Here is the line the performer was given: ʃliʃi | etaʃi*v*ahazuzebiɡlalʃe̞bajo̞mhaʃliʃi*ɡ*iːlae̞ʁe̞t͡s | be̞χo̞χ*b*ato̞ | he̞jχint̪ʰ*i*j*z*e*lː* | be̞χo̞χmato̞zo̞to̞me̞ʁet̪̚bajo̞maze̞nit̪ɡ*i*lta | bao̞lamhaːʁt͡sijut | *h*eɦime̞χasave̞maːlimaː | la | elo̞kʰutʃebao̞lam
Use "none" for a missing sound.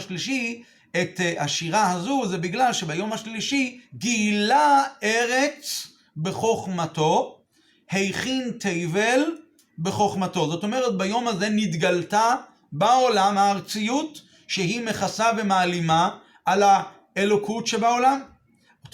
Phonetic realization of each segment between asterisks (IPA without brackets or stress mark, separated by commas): ʁ, ɡ, m, e, v, l, a, ʃ